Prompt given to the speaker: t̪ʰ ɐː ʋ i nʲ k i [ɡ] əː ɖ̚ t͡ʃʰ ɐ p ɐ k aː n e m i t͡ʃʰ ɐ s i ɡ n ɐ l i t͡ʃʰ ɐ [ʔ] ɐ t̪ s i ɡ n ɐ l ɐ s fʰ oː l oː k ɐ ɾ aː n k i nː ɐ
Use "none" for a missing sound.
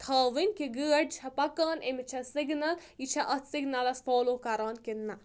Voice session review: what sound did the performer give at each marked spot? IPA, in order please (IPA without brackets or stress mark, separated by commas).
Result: ɡ, ʔ